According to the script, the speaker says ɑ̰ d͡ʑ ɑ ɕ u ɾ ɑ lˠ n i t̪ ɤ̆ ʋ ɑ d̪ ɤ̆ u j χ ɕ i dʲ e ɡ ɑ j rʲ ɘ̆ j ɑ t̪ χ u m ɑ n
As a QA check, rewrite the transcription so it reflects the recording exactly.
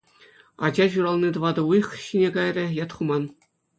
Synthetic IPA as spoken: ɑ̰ d͡ʑ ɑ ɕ u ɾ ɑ lˠ n i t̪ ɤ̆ ʋ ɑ d̪ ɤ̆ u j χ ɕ i nʲ e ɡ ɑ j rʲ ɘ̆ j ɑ t̪ χ u m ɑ n